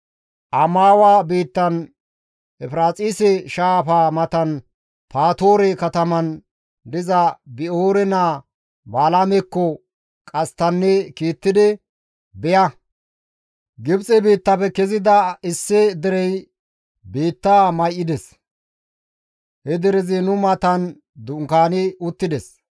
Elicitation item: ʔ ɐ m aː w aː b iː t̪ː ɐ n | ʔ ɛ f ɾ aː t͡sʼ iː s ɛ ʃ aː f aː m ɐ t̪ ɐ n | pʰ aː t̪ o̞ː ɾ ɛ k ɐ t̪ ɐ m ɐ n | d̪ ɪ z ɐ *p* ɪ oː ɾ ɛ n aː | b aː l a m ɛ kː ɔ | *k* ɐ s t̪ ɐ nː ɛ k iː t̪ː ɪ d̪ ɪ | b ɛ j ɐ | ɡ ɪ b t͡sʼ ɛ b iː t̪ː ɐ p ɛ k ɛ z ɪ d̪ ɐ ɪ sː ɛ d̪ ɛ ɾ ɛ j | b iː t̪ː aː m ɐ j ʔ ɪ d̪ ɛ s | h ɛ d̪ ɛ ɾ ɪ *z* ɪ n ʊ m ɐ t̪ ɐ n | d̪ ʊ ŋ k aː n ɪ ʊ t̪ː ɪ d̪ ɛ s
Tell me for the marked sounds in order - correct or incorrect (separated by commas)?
incorrect, incorrect, correct